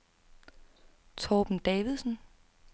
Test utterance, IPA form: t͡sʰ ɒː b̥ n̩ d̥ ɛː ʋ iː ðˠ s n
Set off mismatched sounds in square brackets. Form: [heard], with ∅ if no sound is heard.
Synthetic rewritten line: t͡sʰ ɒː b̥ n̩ d̥ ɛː ʋ [i] ðˠ s n